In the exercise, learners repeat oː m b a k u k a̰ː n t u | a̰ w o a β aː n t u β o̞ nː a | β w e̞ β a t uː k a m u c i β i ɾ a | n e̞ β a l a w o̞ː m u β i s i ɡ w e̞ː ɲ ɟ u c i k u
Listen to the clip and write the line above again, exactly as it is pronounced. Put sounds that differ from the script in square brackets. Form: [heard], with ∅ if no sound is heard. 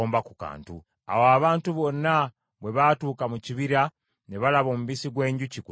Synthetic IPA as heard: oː m b a k u k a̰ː n t u | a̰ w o a β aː n t u β o̞ nː a | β w e̞ β a t uː k a m u c i β i ɾ a | n e̞ β a l a [β] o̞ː m u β i s i ɡ w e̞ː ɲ ɟ u c i k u